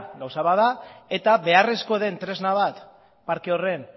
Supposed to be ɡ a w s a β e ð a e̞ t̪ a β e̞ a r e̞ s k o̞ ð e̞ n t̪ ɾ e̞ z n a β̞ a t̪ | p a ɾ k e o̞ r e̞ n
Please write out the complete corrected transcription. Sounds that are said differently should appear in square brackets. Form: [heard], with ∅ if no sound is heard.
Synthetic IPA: ɡ a w s a β [a] ð a e̞ t̪ a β e̞ a r e̞ s k o̞ ð e̞ n t̪ ɾ e̞ z n a β̞ a t̪ | p a ɾ k e o̞ r e̞ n